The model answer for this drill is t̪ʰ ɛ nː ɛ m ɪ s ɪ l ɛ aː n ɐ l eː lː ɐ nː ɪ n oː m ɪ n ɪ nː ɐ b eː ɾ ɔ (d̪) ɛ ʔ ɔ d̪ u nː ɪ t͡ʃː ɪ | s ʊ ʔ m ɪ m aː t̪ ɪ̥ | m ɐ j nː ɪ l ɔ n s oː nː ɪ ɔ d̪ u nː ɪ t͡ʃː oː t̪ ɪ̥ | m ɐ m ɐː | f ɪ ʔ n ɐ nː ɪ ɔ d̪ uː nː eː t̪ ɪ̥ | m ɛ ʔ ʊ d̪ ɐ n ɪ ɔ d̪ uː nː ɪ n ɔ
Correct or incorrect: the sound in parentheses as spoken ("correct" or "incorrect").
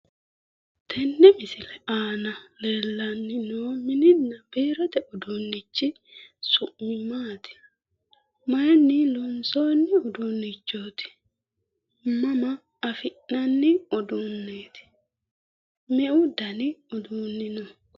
incorrect